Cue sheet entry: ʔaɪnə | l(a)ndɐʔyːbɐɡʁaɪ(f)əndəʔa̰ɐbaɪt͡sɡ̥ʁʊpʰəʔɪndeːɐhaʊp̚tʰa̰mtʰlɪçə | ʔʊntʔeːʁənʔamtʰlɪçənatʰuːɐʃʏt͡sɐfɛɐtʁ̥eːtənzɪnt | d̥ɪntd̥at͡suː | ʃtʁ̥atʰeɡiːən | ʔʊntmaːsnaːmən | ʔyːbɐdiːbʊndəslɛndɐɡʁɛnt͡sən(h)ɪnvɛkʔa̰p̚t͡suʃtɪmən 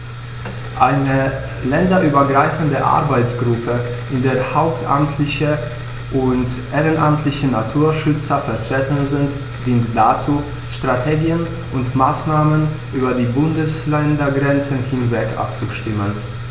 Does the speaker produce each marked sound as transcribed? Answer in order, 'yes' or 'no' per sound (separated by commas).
no, yes, yes